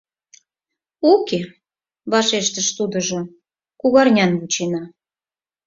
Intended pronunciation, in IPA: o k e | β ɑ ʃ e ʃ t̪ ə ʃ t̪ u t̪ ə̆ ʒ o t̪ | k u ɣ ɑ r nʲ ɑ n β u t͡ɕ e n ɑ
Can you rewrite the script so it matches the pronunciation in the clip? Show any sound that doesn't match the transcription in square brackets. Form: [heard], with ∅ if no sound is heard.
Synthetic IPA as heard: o k e | β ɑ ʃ e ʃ t̪ ə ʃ t̪ u [d̪] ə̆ ʒ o [∅] | k u ɣ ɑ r nʲ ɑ n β u t͡ɕ e n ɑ

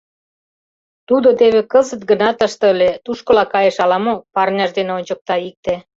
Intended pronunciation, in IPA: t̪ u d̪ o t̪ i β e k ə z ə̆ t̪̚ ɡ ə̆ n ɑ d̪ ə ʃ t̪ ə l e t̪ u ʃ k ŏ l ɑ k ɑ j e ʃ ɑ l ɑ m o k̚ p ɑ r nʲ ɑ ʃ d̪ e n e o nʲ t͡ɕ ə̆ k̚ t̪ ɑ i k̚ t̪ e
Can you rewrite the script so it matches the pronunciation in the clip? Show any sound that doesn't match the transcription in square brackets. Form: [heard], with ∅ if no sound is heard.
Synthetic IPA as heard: t̪ u d̪ o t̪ [e] β e k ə z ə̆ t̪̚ ɡ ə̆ n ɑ [t̪] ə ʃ t̪ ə l e t̪ u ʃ k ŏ l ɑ k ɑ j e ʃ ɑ l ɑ m o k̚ p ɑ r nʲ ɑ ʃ d̪ e n e o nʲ t͡ɕ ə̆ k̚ t̪ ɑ i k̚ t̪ e

